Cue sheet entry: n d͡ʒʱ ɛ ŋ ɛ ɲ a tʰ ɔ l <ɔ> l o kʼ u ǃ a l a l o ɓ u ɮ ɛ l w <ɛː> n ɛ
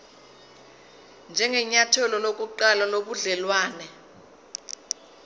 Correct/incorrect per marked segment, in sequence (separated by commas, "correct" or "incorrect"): correct, incorrect